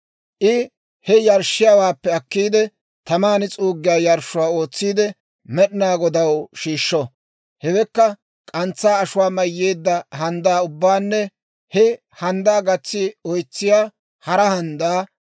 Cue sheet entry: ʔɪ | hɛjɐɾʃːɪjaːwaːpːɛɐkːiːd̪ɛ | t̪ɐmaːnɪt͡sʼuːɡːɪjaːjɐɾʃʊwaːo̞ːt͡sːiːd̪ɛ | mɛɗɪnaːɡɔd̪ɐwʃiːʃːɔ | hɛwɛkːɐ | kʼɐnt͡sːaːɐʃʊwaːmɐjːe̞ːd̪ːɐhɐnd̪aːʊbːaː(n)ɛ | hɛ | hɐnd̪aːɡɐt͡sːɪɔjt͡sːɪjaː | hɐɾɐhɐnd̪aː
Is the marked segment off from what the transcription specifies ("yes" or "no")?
yes